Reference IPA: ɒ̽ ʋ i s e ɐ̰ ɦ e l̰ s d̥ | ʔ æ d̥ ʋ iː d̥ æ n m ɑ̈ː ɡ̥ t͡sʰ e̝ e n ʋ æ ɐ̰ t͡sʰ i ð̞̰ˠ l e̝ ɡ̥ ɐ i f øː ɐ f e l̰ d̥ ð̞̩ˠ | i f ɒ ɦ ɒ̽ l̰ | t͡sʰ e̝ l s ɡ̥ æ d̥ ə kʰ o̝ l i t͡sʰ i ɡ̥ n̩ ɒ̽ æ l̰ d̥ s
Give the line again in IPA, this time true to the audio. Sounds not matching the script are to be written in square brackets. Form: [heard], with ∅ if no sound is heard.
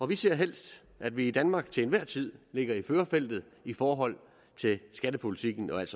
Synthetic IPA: ɒ̽ ʋ i s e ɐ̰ ɦ e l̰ s d̥ | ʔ æ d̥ ʋ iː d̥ æ n m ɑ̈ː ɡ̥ t͡sʰ e̝ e n ʋ æ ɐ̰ t͡sʰ i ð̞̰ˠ l e̝ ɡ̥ ɐ i f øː ɐ f e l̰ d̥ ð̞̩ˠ | i f [ɒː] ɦ ɒ̽ l̰ | t͡sʰ e̝ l s ɡ̥ æ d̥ ə [pʰ] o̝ l i t͡sʰ i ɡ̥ n̩ ɒ̽ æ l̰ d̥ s